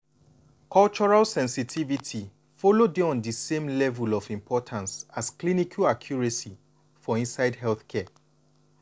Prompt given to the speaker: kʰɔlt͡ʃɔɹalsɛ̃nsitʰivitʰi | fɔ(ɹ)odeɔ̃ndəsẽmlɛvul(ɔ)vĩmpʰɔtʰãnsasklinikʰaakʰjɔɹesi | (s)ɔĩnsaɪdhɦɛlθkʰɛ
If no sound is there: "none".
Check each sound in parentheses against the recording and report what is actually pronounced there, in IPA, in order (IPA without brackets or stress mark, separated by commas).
l, ɔ, f